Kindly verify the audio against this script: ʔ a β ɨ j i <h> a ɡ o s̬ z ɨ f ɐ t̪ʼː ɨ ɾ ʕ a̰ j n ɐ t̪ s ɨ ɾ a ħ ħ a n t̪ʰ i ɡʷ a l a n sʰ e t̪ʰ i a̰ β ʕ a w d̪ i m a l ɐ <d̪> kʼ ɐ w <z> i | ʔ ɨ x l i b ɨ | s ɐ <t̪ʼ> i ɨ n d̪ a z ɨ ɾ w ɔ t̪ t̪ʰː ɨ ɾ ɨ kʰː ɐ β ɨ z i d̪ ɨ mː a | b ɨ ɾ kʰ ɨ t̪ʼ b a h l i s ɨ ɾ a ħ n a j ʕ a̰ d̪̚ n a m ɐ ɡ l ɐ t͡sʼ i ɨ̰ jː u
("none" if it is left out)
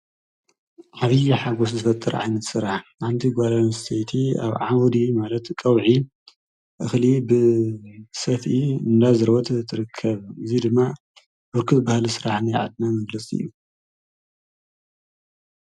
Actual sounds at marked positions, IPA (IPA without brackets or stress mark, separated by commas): ħ, t̪, ʕ, t̪